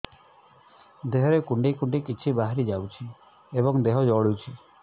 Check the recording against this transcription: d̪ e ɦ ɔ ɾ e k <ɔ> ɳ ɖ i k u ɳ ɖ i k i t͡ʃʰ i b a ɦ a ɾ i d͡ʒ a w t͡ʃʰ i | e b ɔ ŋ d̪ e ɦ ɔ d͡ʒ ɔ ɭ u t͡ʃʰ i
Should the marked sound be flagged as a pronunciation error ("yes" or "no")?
yes